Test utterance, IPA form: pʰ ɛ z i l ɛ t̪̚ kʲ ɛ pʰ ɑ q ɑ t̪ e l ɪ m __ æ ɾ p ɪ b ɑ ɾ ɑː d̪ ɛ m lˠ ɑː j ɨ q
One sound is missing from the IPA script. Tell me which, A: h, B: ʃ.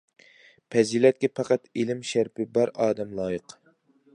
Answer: B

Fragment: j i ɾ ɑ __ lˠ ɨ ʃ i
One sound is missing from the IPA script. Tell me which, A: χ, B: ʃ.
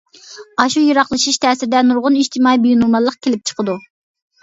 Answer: A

